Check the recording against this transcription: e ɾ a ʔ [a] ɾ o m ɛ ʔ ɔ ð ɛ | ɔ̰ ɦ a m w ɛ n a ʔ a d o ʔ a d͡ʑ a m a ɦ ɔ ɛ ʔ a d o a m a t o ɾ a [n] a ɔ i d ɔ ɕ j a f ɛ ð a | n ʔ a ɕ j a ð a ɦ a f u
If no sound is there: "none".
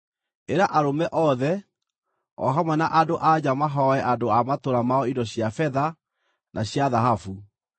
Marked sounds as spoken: a, m

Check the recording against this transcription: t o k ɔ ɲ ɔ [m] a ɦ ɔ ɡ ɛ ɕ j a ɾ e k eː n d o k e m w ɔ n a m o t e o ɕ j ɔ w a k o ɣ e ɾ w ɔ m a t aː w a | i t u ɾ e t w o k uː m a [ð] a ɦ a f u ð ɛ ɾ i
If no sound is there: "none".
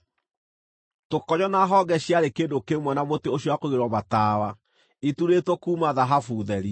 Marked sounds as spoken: n, ð

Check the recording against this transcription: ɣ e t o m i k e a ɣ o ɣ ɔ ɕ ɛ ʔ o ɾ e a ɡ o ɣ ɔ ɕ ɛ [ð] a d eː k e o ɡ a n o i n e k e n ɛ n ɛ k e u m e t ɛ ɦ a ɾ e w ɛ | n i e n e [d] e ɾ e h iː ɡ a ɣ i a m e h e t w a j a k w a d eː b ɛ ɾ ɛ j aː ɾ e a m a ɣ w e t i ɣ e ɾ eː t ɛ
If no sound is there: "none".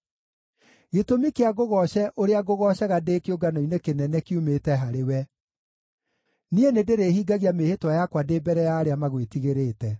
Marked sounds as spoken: ɣ, d

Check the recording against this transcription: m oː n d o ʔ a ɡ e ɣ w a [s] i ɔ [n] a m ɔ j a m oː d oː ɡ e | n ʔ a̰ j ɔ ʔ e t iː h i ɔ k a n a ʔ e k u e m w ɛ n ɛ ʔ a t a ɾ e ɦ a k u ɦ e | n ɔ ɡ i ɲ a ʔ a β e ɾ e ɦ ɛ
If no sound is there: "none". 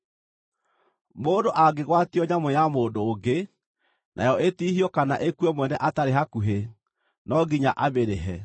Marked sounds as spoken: t, ɲ

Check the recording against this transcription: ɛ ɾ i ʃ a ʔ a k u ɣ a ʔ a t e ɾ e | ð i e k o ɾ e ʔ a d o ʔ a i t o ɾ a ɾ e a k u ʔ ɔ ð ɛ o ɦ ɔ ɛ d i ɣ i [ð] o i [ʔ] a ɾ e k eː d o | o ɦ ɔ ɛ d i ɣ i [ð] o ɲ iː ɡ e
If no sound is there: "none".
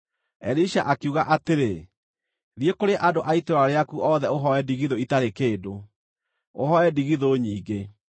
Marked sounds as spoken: ð, t, ð

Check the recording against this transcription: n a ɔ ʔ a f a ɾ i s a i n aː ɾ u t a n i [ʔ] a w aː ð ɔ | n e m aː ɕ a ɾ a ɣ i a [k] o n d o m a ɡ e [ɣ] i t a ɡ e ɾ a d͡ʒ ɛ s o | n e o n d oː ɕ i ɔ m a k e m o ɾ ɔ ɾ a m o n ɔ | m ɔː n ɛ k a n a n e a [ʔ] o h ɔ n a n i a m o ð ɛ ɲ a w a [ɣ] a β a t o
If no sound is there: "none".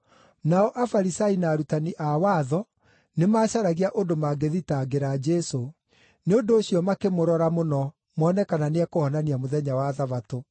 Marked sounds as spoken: ʔ, ʔ, ð, k, ð

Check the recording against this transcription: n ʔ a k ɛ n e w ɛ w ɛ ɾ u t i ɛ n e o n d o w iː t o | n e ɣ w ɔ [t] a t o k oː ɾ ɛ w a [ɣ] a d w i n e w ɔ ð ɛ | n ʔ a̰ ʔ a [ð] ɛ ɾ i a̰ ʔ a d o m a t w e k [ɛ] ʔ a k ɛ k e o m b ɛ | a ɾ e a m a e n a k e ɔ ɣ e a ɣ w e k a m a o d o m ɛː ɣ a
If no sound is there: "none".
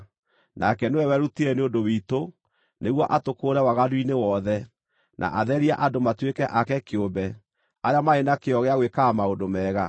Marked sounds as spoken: ʔ, ɣ, ð, ɛ

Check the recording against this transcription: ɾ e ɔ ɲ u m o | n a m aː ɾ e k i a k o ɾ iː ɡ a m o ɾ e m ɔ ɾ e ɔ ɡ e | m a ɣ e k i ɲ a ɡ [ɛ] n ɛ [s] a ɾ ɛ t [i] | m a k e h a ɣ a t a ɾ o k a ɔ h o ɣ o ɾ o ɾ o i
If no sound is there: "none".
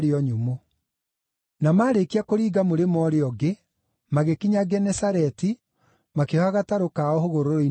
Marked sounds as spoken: ɛ, s, i

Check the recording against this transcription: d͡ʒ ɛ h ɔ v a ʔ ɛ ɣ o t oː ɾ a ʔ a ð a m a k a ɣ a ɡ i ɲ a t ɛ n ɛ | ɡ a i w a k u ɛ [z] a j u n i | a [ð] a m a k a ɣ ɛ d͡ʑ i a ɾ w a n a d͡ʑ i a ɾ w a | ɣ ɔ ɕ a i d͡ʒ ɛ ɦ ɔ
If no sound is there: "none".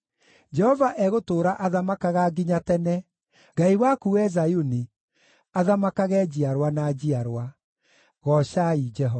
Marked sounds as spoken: z, ð

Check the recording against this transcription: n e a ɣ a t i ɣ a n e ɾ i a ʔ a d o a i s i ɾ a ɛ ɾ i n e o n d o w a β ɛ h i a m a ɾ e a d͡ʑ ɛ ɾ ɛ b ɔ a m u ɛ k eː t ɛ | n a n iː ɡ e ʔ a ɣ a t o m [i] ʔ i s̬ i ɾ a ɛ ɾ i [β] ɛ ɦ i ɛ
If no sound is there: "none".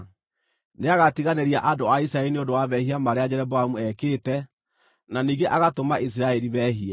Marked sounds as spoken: a, β

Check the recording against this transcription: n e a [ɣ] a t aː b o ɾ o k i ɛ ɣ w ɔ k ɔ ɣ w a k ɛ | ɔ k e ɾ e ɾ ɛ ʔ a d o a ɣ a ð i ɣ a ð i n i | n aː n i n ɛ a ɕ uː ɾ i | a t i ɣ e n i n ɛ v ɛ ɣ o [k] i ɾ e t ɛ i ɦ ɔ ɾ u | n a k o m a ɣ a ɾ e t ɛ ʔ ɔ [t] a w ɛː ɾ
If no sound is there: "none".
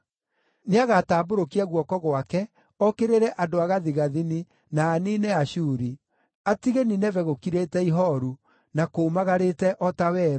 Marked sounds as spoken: ɣ, k, t

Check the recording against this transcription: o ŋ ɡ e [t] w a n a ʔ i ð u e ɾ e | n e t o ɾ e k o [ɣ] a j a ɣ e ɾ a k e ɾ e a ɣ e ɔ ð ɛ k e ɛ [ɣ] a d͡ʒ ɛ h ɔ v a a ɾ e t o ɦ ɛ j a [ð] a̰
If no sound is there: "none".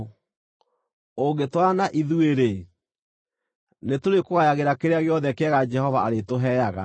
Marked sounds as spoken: t, ɣ, ɣ, ɣ

